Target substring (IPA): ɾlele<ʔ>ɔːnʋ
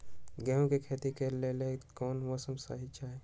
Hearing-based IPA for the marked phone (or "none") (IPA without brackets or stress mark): k